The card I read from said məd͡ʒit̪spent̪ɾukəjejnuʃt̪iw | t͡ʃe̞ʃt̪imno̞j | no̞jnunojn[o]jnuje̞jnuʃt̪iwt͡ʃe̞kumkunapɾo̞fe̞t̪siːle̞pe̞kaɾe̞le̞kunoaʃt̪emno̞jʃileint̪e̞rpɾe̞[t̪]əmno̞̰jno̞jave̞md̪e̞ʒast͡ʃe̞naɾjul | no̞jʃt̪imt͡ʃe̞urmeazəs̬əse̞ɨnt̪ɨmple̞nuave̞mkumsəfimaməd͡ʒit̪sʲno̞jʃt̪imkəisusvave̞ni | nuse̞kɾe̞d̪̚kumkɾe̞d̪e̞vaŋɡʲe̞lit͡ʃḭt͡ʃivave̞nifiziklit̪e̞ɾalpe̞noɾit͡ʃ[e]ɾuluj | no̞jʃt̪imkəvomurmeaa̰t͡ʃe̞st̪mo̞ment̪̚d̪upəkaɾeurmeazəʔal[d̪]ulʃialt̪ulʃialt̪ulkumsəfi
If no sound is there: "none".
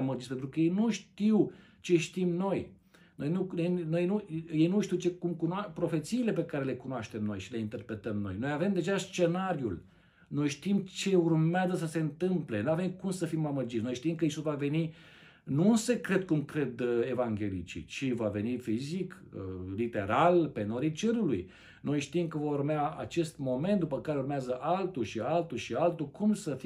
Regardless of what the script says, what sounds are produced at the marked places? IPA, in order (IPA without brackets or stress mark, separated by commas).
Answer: o, t̪, e, t̪